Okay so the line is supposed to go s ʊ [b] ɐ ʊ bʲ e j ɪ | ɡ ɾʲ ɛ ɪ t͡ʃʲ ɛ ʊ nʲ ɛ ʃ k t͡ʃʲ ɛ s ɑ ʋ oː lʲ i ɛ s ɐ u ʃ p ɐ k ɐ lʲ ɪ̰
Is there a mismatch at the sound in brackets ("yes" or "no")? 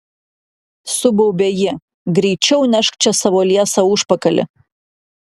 no